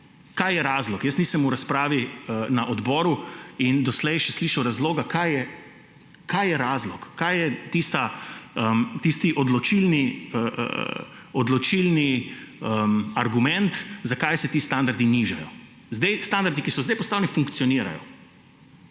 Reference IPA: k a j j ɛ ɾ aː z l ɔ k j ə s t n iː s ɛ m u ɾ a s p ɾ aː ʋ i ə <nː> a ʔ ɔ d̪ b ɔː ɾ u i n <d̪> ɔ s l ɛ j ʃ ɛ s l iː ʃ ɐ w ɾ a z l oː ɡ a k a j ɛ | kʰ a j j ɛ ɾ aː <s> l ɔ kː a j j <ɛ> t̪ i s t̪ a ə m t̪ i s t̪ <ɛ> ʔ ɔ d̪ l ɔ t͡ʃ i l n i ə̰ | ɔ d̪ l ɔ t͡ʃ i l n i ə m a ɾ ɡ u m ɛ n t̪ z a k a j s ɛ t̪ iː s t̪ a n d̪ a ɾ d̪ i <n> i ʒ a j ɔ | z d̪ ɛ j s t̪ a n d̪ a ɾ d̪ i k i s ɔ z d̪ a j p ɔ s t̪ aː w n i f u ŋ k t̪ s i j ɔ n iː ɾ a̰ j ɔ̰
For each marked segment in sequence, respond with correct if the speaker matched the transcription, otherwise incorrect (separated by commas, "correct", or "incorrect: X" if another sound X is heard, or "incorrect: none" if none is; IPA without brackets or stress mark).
incorrect: n, correct, incorrect: z, correct, incorrect: i, correct